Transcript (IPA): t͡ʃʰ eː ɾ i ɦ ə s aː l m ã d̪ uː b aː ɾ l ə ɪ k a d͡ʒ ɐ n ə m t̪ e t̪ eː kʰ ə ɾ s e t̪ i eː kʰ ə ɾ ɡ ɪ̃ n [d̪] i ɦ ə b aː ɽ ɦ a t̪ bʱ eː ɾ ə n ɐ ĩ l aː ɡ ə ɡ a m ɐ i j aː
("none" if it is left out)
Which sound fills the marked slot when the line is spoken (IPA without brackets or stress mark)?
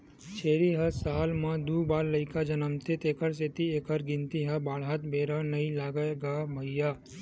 t̪